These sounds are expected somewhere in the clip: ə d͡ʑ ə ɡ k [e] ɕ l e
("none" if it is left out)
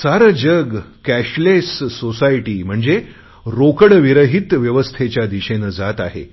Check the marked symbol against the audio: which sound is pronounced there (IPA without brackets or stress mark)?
æ